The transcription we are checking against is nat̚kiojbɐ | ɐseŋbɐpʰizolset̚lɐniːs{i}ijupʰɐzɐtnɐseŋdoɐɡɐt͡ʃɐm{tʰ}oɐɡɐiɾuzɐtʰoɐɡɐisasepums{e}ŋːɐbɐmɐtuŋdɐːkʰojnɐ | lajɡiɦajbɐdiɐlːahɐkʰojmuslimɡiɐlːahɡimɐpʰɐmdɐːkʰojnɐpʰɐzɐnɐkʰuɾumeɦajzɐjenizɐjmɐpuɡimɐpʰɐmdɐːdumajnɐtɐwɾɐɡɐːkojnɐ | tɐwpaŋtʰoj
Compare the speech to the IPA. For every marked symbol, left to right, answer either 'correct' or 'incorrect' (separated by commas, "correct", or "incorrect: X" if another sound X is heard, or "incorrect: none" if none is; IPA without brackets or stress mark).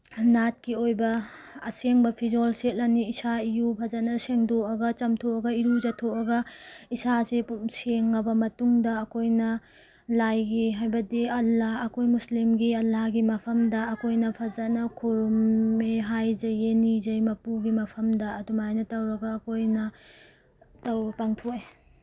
incorrect: a, correct, correct